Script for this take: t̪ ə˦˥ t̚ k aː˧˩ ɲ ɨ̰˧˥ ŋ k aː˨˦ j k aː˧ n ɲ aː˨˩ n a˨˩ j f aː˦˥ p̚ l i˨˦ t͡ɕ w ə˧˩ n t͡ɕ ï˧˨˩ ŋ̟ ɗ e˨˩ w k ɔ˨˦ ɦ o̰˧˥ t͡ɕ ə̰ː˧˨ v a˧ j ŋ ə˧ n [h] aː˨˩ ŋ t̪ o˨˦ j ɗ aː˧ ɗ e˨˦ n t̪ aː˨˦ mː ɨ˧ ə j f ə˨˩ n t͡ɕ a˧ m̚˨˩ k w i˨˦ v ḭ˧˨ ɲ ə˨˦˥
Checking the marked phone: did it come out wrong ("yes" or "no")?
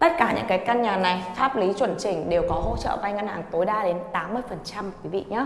no